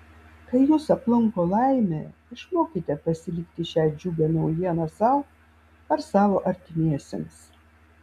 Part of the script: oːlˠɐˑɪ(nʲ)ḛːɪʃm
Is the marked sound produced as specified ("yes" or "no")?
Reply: no